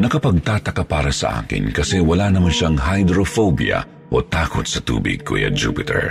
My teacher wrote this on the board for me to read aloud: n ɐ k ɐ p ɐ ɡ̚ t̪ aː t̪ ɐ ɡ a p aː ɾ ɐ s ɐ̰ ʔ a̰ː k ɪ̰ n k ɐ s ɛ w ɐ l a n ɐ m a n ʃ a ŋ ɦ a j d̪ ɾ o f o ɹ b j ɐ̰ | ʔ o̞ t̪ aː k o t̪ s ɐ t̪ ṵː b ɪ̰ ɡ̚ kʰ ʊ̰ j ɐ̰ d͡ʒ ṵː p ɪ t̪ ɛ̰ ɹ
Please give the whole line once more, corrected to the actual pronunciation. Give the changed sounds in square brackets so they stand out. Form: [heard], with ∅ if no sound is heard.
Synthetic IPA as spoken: n ɐ k ɐ p ɐ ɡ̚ t̪ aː t̪ ɐ [k] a p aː ɾ ɐ s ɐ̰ ʔ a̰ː k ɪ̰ n k ɐ s ɛ w ɐ l a n ɐ m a n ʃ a ŋ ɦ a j d̪ ɾ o f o [∅] b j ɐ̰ | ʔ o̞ t̪ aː k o t̪ s ɐ t̪ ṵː b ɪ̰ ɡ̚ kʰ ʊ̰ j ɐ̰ d͡ʒ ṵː p ɪ t̪ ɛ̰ ɹ